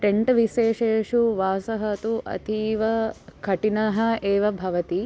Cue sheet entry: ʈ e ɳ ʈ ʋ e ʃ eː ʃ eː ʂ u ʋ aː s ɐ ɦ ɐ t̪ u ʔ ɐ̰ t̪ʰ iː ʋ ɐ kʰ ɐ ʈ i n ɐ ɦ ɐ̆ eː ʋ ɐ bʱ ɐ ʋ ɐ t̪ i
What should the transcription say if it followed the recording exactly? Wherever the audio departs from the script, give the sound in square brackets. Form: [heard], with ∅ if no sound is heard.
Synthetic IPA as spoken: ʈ e ɳ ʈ ʋ [i] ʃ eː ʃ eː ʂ u ʋ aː s ɐ ɦ ɐ t̪ u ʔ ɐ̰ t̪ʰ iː ʋ ɐ kʰ ɐ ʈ i n ɐ ɦ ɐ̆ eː ʋ ɐ bʱ ɐ ʋ ɐ t̪ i